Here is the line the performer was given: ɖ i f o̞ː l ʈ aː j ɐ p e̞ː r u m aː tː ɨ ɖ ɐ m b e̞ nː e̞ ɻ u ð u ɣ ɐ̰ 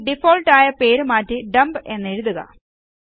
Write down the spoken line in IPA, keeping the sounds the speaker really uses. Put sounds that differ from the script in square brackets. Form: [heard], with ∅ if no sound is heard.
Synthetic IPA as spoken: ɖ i f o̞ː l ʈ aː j ɐ p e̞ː [ɾ] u m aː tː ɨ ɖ ɐ m b e̞ nː e̞ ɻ u ð u ɣ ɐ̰